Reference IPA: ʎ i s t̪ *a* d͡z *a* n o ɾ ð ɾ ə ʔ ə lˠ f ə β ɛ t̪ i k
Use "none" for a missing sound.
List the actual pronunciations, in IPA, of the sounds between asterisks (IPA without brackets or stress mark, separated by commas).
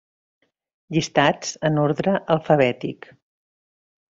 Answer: a, ə